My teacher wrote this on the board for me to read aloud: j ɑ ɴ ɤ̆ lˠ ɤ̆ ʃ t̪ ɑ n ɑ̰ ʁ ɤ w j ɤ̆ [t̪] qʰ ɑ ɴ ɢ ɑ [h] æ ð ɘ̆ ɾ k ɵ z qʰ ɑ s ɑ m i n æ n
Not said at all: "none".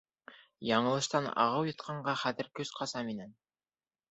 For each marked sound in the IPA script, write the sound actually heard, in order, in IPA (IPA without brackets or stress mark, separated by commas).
t̪, χ